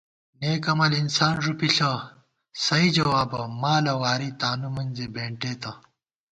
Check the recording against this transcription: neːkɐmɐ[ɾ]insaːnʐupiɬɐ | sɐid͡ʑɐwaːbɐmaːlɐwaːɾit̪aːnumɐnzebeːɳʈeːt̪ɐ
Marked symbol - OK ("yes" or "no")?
no